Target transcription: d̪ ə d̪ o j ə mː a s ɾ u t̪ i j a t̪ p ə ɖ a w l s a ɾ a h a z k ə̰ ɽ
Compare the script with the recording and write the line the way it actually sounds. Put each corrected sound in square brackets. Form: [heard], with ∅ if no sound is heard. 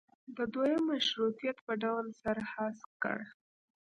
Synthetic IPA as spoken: d̪ ə d̪ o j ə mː a [ʃ] ɾ u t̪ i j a t̪ p ə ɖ a w l s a ɾ a h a [s] k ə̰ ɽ